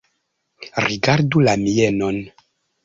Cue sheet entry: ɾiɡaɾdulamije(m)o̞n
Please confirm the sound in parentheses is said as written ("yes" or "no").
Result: no